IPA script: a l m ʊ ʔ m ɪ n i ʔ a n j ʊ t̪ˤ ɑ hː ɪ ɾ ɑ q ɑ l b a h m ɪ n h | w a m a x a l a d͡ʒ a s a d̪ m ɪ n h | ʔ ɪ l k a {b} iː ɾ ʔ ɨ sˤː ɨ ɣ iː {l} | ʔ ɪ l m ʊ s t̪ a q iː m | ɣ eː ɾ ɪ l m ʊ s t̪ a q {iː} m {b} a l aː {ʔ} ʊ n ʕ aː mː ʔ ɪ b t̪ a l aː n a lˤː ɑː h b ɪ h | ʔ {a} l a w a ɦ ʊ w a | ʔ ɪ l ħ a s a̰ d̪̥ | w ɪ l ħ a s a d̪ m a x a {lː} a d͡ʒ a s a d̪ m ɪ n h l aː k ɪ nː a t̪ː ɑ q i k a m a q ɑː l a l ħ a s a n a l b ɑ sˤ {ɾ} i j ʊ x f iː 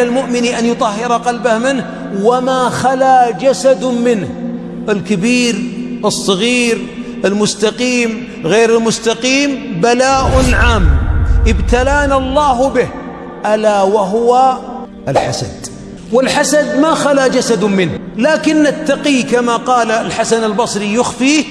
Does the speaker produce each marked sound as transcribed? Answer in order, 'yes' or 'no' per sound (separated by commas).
yes, no, yes, yes, yes, yes, no, yes